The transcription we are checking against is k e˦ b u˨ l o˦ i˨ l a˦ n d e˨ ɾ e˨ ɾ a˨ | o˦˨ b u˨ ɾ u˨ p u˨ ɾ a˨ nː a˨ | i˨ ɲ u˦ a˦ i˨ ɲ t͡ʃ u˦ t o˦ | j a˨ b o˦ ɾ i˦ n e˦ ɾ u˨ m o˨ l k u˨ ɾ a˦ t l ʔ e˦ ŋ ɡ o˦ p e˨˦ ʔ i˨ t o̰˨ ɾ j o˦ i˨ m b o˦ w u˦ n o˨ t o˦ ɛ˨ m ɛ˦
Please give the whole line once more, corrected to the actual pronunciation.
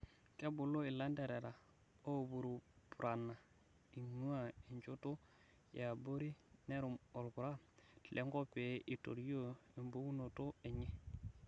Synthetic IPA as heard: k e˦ b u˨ l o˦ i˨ l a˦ n d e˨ ɾ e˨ ɾ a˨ | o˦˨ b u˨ ɾ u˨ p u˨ ɾ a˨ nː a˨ | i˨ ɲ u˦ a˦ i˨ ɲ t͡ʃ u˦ t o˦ | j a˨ b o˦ ɾ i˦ n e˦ ɾ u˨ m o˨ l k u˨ ɾ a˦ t l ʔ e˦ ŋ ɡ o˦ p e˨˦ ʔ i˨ t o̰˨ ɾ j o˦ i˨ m b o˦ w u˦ n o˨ t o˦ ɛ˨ ɲ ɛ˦